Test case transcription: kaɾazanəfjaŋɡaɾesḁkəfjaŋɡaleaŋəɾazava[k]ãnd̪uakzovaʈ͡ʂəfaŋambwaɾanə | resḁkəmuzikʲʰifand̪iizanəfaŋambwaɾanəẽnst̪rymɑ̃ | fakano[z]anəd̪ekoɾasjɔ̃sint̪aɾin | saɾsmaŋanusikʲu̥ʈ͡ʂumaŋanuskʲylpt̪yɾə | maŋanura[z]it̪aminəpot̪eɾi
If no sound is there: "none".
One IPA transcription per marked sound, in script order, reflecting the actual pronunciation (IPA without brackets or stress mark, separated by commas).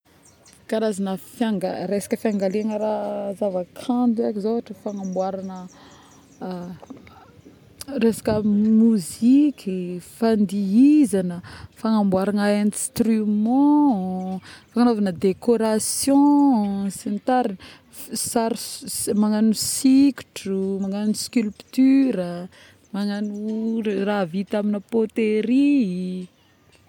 kʰ, v, v